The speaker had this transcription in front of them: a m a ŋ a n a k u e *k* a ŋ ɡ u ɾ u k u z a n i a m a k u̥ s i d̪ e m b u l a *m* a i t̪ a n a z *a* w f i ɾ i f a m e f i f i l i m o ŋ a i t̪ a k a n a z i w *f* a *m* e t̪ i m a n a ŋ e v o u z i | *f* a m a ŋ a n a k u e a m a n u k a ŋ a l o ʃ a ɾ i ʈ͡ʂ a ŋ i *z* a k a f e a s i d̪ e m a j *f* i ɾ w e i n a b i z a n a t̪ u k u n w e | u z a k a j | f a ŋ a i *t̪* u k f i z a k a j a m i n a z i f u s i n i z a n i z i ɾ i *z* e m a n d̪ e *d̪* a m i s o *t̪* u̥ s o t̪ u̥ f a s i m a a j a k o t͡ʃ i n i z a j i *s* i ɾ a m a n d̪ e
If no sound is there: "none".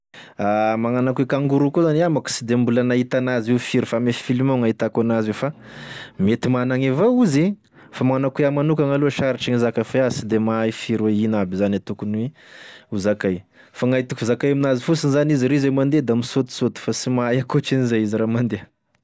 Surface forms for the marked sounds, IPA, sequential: k, n, i, f, m, f, z, f, t̪, z, d̪, t̪, z

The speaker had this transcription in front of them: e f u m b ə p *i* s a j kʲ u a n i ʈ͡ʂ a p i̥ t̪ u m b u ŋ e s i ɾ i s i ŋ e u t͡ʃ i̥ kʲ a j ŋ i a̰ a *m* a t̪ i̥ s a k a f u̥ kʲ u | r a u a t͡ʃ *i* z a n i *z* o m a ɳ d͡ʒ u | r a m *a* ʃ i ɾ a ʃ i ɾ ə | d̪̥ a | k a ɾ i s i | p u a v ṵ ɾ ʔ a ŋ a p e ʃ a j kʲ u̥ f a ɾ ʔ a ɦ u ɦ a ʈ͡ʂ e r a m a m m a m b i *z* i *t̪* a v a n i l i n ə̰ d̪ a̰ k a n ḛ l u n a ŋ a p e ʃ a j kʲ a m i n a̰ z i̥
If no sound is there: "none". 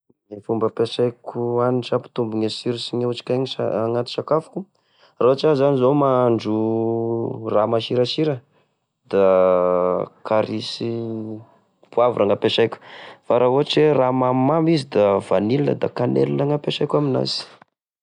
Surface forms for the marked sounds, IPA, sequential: e, ŋ, a, z, a, z, d̪

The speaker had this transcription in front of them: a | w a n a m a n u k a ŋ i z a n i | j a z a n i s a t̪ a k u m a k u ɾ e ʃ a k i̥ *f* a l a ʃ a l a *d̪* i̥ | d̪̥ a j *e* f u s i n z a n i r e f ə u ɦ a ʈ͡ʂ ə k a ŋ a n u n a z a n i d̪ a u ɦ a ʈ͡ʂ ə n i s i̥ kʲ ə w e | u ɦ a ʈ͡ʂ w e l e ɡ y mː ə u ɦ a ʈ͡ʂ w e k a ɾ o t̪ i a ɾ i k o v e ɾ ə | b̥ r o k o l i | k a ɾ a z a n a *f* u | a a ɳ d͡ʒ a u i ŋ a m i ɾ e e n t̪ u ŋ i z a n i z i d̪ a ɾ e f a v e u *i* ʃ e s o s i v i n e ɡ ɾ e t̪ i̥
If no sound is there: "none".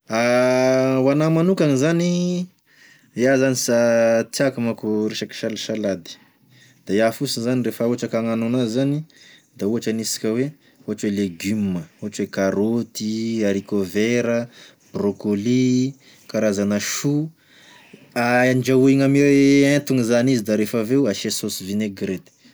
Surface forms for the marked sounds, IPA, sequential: ʃ, d̪, a, ʃ, a

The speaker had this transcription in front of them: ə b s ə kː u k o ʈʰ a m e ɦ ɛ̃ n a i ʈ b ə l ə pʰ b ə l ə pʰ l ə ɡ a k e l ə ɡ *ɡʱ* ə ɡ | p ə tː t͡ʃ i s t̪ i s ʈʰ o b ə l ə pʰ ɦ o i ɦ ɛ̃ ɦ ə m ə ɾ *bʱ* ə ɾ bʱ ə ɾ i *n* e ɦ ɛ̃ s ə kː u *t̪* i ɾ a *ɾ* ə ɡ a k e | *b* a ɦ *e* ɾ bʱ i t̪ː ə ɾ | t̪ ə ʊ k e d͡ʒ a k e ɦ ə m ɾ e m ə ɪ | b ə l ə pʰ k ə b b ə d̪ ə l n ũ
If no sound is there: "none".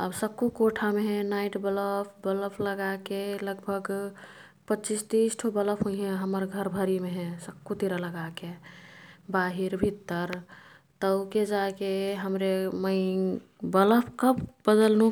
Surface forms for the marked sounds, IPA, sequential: bʱ, ɡʱ, m, t̪, l, b, i

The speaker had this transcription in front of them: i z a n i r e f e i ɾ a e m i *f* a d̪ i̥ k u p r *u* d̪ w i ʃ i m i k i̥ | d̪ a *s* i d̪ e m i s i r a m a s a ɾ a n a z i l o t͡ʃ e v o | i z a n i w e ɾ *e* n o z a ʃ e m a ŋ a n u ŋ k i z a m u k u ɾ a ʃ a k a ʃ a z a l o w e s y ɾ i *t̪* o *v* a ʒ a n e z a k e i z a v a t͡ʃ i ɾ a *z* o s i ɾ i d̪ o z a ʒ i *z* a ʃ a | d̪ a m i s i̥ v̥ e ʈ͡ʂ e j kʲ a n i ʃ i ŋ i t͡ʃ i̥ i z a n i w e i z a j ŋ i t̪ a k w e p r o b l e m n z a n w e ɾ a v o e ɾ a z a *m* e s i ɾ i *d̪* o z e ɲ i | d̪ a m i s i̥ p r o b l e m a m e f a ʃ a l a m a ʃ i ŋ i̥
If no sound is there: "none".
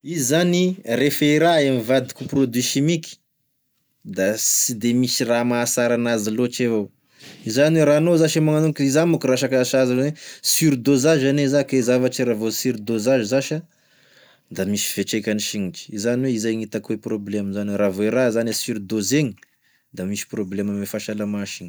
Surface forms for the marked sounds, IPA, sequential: v, o, s, a, d̪, z, v, z, n, d̪

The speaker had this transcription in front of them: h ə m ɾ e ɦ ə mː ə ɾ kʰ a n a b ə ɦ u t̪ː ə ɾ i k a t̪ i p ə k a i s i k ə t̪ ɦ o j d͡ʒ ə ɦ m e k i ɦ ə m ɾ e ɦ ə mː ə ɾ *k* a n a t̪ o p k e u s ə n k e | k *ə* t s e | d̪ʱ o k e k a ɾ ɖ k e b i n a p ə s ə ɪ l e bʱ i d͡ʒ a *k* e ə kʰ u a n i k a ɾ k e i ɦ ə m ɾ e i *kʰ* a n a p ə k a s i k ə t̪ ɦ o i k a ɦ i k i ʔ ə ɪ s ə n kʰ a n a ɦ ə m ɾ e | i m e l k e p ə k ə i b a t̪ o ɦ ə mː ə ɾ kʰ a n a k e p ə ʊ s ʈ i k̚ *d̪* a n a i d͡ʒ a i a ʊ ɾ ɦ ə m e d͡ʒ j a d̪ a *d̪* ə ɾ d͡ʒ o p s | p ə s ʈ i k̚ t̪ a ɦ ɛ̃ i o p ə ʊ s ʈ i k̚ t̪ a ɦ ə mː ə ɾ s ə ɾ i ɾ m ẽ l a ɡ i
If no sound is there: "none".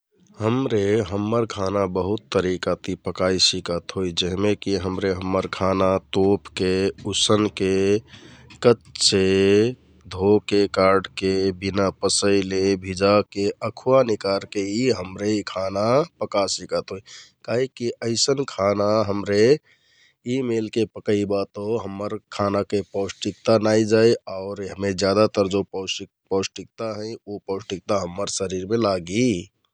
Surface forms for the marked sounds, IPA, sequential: kʰ, ə, k, kʰ, t̪, t̪

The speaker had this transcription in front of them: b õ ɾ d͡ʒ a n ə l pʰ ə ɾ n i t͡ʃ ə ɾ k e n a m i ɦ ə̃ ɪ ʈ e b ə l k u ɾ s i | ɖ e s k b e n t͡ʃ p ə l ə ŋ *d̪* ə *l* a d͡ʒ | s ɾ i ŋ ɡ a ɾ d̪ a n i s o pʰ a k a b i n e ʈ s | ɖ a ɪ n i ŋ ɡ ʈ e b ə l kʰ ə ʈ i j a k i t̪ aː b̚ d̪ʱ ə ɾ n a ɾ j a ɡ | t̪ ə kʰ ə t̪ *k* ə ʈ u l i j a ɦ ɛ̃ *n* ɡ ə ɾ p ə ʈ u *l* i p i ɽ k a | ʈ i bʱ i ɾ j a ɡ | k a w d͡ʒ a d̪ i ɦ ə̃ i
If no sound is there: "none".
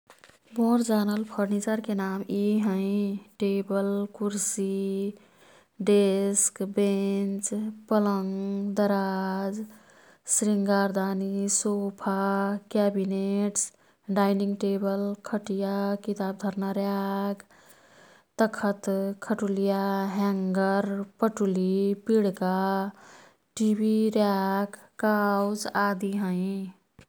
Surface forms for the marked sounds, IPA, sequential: d̪, ɾ, kʰ, ŋ, l

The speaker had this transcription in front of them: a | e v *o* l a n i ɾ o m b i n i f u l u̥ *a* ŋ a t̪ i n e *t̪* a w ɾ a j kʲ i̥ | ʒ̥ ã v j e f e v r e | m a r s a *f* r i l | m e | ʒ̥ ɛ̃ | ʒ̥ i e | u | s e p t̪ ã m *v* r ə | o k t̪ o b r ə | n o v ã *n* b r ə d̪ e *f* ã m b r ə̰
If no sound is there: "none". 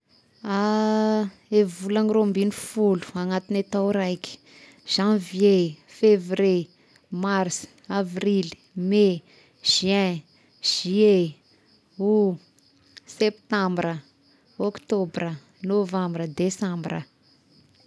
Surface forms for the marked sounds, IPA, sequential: u, a, t̪, v, b, m, s

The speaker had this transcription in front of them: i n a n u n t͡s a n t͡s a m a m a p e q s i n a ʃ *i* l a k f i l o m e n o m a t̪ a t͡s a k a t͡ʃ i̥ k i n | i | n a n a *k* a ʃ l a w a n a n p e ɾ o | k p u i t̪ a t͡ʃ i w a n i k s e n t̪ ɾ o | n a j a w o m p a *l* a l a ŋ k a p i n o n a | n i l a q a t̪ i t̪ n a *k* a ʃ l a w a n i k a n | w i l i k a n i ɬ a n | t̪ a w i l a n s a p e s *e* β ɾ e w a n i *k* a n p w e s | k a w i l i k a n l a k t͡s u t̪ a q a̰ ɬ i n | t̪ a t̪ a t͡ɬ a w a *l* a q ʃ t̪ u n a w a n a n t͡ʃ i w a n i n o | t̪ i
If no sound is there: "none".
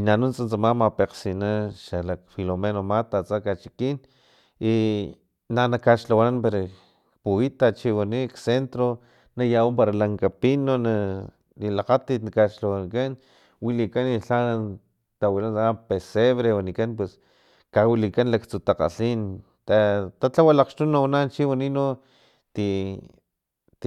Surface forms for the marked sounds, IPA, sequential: a, k, ɾ, k, e, k, l

